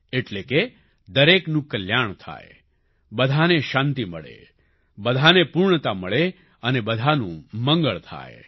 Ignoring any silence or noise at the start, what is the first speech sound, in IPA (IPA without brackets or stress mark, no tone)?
e